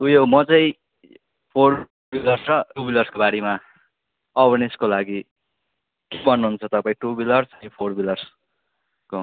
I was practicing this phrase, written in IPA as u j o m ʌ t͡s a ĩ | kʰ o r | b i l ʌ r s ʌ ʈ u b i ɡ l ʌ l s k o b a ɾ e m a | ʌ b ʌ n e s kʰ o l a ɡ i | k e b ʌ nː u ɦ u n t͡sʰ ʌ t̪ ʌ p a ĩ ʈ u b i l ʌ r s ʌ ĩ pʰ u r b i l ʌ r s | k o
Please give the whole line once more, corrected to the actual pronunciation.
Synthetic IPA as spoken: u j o m ʌ t͡s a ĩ | pʰ o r | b i l ʌ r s ʌ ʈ u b i l ʌ r s k o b a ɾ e m a | ʌ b ʌ n e s k o l a ɡ i | k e b ʌ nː u ɦ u n t͡sʰ ʌ t̪ ʌ p a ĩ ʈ u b i l ʌ r s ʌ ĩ pʰ o r b i l ʌ r s | k o

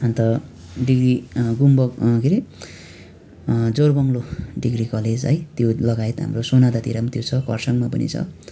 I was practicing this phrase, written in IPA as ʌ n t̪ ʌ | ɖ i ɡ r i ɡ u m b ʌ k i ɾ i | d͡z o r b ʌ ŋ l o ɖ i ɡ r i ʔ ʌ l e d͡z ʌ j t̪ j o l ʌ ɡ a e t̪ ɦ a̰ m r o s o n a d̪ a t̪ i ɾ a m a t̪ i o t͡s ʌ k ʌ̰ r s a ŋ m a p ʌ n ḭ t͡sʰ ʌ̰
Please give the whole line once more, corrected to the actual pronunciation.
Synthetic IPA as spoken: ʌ n t̪ ʌ | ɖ i ɡ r i ɡ u m b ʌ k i ɾ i | d͡z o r b ʌ ŋ l o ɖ i ɡ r i k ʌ l e d͡z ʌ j t̪ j o l ʌ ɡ a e t̪ ɦ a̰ m r o s o n a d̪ a t̪ i ɾ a m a t̪ j o t͡sʰ ʌ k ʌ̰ r s ʌ ŋ m a p ʌ n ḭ t͡sʰ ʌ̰

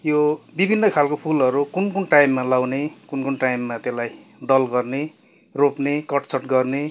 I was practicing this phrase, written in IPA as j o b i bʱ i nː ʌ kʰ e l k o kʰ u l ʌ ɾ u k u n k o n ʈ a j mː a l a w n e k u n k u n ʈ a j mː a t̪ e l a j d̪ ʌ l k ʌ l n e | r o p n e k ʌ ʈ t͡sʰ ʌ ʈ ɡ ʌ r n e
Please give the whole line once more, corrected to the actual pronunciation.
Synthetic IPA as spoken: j o b i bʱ i nː ʌ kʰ a l k o pʰ u l ʌ ɾ u k u n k u n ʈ a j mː a l a w n e k u n k u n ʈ a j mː a t̪ e l a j d̪ ʌ l ɡ ʌ r n e | r o p n e k ʌ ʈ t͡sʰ ʌ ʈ ɡ ʌ r n e

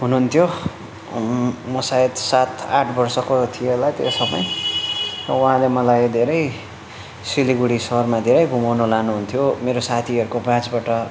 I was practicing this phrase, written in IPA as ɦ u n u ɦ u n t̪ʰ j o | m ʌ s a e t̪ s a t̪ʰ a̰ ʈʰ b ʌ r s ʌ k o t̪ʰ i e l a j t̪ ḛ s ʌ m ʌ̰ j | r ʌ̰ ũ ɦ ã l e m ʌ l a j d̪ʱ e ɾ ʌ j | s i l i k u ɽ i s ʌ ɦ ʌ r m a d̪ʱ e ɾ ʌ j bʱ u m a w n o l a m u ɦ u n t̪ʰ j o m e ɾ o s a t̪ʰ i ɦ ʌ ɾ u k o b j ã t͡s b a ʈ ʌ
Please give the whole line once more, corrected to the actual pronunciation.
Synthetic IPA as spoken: ɦ u n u ɦ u n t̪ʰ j o | m ʌ s a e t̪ s a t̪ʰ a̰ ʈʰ b ʌ r s ʌ k o t̪ʰ i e l a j t̪ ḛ s ʌ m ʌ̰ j | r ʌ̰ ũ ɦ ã l e m ʌ l a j d̪ʱ e ɾ ʌ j | s i l i ɡ u ɽ i s ʌ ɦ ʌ r m a d̪ʱ e ɾ ʌ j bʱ u m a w n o l a n u ɦ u n t̪ʰ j o m e ɾ o s a t̪ʰ i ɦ ʌ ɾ u k o b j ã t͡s b a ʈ ʌ

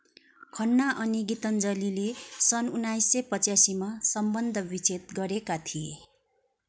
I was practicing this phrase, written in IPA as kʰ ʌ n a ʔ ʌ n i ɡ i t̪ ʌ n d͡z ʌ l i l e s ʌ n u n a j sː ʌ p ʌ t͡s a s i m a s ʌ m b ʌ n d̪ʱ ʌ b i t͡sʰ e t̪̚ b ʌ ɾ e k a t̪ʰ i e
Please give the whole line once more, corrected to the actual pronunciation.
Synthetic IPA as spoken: kʰ ʌ nː a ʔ ʌ n i ɡ i t̪ ʌ n d͡z ʌ l i l e s ʌ n u n a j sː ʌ p ʌ t͡s a s i m a s ʌ m b ʌ n d̪ʱ ʌ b i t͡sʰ e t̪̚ ɡ ʌ ɾ e k a t̪ʰ i e

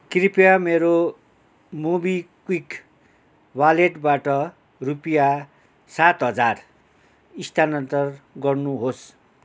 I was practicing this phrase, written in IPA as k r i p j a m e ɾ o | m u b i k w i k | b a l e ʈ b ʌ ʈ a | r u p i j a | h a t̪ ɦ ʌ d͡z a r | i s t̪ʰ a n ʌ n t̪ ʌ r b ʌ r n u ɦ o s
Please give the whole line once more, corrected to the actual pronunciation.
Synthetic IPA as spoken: k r i p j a m e ɾ o | m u b i k w i k | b a l e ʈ b a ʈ ʌ | r u p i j a | s a t̪ ɦ ʌ d͡z a r | i s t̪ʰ a n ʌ n t̪ ʌ r ɡ ʌ r n u ɦ o s

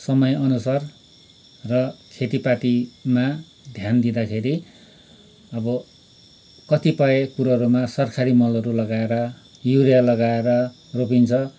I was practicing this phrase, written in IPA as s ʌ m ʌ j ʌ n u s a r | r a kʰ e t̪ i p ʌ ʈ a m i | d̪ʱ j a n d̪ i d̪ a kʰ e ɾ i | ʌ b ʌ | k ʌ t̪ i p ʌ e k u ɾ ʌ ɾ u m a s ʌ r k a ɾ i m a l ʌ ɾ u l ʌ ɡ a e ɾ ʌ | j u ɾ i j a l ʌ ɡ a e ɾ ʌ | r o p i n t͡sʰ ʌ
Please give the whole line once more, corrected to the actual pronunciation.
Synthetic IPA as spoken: s ʌ m ʌ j ʌ n u s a r | r ʌ kʰ e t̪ i p a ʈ i m a | d̪ʱ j a n d̪ i d̪ a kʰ e ɾ i | ʌ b ʌ | k ʌ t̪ i p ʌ e k u ɾ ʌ ɾ u m a s ʌ r kʰ a ɾ i m ʌ l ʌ ɾ u l ʌ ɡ a e ɾ ʌ | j u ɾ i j a l ʌ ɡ a e ɾ ʌ | r o p i n t͡sʰ ʌ

